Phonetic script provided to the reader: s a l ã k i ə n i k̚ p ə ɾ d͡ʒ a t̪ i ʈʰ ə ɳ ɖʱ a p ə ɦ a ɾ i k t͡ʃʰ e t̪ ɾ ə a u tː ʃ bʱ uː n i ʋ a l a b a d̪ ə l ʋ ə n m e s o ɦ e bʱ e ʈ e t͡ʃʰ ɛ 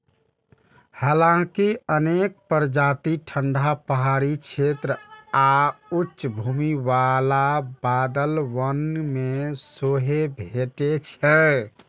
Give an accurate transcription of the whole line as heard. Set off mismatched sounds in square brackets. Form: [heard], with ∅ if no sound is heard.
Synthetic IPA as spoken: [h] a l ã k i ə n [e] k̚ p ə ɾ d͡ʒ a t̪ i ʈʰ ə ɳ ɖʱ a p ə ɦ a ɾ i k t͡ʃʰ e t̪ ɾ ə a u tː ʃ bʱ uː [m] i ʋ a l a b a d̪ ə l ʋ ə n m e s o ɦ e bʱ e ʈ e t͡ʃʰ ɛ